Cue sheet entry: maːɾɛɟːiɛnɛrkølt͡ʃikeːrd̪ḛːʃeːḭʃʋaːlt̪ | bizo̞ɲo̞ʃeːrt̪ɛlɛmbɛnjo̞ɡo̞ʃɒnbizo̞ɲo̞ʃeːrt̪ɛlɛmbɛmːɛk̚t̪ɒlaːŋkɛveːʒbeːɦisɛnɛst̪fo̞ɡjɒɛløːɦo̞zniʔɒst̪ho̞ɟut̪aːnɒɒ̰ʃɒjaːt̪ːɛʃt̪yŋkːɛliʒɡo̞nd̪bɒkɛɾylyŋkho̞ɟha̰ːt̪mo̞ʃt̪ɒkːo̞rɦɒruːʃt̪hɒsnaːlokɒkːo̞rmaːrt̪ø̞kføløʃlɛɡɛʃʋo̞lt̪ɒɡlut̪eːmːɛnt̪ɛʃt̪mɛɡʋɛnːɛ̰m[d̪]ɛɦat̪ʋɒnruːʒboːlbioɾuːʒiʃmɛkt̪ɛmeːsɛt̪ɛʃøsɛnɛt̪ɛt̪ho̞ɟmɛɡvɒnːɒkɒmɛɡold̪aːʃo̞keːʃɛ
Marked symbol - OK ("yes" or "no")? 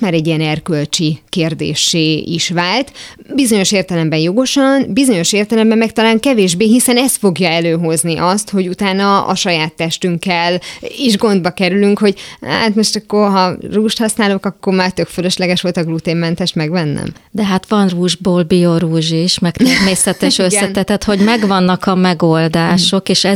yes